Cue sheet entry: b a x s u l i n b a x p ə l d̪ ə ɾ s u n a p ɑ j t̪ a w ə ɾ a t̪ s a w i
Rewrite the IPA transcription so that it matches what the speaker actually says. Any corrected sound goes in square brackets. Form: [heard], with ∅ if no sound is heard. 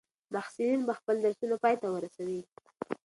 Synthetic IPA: [m] a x s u l i n b a x p ə l d̪ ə ɾ s u n a p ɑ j t̪ a w ə ɾ a [∅] s a w i